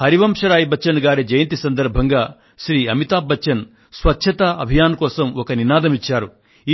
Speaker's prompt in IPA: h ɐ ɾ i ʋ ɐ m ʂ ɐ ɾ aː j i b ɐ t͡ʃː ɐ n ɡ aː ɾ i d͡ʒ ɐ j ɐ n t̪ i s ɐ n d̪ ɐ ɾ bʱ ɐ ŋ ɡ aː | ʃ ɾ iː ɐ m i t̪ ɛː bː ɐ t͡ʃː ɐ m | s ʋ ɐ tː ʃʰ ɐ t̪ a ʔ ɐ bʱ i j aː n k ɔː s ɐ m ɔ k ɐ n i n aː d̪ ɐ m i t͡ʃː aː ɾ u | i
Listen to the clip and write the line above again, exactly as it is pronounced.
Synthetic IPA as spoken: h ɐ ɾ i ʋ ɐ m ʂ ɐ ɾ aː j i b ɐ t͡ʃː ɐ n ɡ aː ɾ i d͡ʒ ɐ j ɐ n t̪ i s ɐ n d̪ ɐ ɾ bʱ ɐ ŋ ɡ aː | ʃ ɾ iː ɐ m i t̪ aː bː ɐ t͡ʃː ɐ n | s ʋ ɐ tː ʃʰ ɐ t̪ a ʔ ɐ bʱ i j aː n k ɔː s ɐ m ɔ k ɐ n i n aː d̪ ɐ m i t͡ʃː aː ɾ u | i